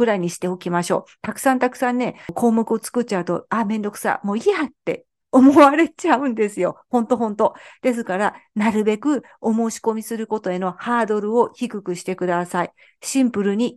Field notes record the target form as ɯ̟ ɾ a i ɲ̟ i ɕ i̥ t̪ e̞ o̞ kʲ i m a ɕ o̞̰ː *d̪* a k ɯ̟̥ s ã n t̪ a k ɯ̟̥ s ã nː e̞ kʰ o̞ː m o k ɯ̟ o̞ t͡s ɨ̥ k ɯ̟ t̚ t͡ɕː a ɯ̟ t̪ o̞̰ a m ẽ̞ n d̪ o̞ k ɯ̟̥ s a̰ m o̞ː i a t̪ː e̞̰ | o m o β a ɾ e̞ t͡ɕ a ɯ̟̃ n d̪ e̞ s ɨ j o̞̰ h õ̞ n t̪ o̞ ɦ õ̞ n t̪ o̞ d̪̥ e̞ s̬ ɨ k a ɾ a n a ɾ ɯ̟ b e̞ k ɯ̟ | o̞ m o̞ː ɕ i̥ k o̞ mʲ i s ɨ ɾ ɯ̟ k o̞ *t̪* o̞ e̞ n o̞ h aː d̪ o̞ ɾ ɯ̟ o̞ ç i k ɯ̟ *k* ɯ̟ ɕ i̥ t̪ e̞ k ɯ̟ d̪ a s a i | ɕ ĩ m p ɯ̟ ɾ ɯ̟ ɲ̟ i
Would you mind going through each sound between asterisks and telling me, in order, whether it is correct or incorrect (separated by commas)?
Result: incorrect, correct, correct